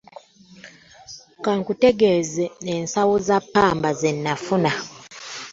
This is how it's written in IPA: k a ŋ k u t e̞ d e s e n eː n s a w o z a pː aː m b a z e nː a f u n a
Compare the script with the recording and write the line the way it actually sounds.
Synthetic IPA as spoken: k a ŋ k u t e̞ ɡ e z e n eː n s a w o z a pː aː m b a z e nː a f u n a